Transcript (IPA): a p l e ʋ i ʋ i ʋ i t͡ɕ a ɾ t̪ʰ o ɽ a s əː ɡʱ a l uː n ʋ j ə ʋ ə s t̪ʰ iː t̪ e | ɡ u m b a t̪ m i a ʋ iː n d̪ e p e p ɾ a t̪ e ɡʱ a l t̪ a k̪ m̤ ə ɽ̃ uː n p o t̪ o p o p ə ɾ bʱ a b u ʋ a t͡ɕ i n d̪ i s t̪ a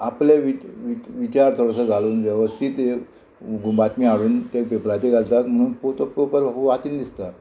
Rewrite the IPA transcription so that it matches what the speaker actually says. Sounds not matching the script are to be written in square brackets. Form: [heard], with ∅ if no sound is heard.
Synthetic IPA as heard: a p l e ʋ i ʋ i ʋ i t͡ɕ a ɾ t̪ʰ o ɽ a s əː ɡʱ a l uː n ʋ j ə ʋ ə s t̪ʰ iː t̪ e | ɡ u m b a t̪ m i a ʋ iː n [t̪] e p e p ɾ a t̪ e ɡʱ a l t̪ a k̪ m̤ ə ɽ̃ uː n p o t̪ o p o p ə ɾ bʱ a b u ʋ a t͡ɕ i n d̪ i s t̪ a